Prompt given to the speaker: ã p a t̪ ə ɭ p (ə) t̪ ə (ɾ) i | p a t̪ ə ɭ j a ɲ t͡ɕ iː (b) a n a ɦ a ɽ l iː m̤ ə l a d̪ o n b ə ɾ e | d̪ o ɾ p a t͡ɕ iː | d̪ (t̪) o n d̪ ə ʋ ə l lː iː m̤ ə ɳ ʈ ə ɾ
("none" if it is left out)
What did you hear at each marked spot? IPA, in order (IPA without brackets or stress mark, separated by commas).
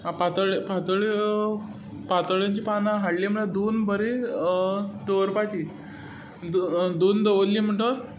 a, ɭ, p, d̪